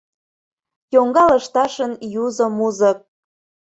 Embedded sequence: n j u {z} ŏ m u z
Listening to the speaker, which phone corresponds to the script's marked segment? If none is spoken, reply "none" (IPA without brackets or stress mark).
z